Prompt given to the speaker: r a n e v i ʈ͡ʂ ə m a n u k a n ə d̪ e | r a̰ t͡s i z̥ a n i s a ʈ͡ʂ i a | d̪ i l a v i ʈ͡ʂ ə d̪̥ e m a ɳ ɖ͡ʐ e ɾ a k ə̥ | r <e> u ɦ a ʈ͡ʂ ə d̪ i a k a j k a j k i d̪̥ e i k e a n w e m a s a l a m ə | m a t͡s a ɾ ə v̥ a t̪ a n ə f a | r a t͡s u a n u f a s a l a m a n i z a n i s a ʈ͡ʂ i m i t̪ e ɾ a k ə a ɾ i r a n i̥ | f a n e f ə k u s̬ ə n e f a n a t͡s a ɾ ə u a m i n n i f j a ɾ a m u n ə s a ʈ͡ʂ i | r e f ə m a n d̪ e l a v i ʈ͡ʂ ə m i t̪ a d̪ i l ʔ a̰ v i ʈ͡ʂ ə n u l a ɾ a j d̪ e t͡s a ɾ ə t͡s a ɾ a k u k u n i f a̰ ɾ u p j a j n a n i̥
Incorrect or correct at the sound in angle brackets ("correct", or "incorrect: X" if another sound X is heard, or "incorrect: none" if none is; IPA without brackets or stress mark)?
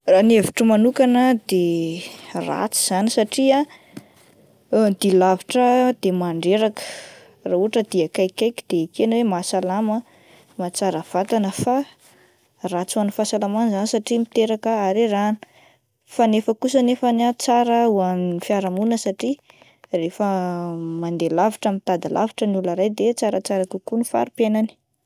incorrect: a